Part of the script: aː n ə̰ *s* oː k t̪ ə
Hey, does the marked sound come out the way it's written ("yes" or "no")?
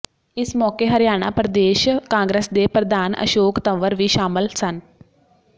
no